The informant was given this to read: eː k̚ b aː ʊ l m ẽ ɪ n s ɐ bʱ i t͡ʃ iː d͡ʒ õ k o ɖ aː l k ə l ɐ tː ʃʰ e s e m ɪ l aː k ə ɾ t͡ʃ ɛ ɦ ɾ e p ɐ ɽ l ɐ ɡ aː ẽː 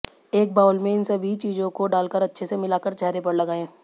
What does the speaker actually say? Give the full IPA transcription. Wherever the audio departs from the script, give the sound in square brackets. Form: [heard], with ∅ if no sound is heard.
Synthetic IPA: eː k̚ b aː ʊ l m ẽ ɪ n s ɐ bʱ i t͡ʃ iː d͡ʒ õ k o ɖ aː l k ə [ɾ] ɐ tː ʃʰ e s e m ɪ l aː k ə ɾ t͡ʃ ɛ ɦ ɾ e p ɐ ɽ l ɐ ɡ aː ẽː

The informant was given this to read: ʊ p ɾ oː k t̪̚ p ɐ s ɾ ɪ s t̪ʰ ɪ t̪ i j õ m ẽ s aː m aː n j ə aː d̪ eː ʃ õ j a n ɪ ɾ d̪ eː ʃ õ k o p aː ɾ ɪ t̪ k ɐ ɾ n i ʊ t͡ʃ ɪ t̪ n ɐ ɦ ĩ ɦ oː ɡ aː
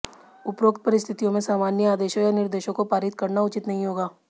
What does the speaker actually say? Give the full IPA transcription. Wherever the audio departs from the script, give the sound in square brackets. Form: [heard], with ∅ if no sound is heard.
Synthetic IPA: ʊ p ɾ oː k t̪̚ p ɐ [∅] ɾ ɪ s t̪ʰ ɪ t̪ i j õ m ẽ s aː m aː n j ə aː d̪ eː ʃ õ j a n ɪ ɾ d̪ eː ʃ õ k o p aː ɾ ɪ t̪ k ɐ ɾ n [a] ʊ t͡ʃ ɪ t̪ n ɐ ɦ ĩ ɦ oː ɡ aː

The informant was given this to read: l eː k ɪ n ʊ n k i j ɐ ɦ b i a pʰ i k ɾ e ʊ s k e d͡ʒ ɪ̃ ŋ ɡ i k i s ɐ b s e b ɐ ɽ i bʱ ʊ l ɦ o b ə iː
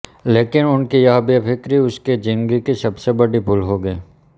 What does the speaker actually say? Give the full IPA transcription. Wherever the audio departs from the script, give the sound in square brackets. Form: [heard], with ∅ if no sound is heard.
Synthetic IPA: l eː k ɪ n ʊ n k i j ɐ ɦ b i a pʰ [ɪ] k ɾ [i] ʊ s k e d͡ʒ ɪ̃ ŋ ɡ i k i s ɐ b s e b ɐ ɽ i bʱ ʊ l ɦ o [ɡ] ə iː

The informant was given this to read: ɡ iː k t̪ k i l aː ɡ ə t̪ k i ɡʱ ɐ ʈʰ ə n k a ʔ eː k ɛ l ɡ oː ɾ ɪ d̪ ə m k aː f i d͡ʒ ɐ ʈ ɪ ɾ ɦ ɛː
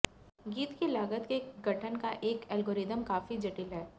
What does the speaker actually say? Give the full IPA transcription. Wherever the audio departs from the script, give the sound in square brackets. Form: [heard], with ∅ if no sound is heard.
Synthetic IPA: ɡ iː [∅] t̪ k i l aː ɡ ə t̪ k [e] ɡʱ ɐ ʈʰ ə n k a ʔ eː k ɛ l ɡ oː ɾ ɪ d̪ ə m k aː f i d͡ʒ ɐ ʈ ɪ [l] ɦ ɛː

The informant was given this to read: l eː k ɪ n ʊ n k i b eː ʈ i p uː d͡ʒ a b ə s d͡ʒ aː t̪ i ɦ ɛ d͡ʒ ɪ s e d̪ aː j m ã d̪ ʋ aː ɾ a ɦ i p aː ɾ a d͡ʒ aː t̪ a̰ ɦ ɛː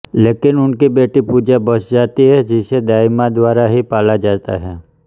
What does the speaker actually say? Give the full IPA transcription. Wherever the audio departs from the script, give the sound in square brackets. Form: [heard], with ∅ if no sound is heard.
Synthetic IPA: l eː k ɪ n ʊ n k i b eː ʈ i p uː d͡ʒ a b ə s d͡ʒ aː t̪ i ɦ ɛ d͡ʒ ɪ s e d̪ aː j m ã d̪ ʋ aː ɾ a ɦ i p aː [l] a d͡ʒ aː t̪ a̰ ɦ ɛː

